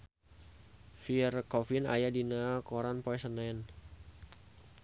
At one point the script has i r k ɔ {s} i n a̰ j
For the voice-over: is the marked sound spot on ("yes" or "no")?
no